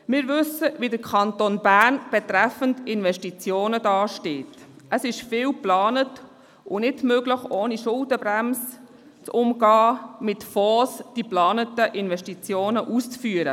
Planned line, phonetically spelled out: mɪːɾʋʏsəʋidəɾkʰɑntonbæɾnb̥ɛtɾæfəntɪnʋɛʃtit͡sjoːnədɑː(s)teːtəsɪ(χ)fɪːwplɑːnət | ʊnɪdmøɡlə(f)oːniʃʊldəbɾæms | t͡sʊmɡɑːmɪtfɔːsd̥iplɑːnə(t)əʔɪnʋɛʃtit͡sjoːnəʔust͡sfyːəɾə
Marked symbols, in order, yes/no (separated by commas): no, no, no, yes